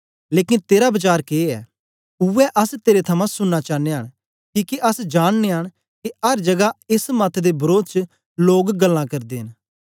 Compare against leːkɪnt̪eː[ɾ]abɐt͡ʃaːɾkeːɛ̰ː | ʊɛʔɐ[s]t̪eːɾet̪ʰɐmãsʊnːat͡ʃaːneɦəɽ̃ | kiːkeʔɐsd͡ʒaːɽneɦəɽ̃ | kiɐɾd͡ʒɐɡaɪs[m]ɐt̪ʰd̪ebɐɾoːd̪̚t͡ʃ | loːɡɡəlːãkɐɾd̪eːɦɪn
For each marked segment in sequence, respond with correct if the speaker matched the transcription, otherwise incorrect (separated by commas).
correct, correct, correct